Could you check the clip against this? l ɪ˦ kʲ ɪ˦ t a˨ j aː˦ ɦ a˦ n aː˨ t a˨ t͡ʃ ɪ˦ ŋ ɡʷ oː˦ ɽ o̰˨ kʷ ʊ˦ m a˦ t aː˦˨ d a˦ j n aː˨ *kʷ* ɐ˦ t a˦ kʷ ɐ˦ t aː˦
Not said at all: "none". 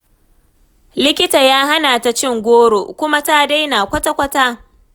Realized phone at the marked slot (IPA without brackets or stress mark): kʷ